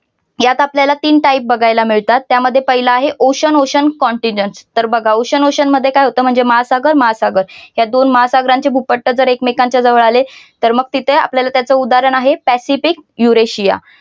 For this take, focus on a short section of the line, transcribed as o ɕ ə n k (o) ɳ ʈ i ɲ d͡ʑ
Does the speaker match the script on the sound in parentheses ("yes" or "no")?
no